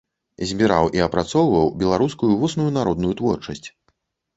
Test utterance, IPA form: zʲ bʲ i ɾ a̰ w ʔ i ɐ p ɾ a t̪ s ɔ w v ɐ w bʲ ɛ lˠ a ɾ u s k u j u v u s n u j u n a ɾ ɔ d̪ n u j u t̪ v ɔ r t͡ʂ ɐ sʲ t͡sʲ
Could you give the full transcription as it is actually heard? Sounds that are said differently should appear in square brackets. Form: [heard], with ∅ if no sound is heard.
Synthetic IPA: zʲ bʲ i ɾ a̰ w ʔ i ɐ p ɾ a t̪ s ɔ w v ɐ w bʲ ɛ lˠ a ɾ u s k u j u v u s n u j u n a ɾ ɔ d̪ n u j u t̪ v ɔ r t͡ʂ ɐ sʲ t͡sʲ